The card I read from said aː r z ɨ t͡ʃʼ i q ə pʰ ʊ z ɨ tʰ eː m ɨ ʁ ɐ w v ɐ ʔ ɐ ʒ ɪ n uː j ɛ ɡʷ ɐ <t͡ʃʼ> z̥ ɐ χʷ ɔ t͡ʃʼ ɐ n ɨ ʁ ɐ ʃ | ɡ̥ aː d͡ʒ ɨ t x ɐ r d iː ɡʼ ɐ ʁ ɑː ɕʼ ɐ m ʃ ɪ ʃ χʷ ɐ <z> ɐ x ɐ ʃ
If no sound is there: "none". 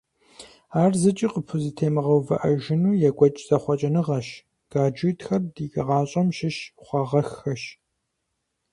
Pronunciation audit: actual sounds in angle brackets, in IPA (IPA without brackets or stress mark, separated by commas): t͡ʃʼ, ʁ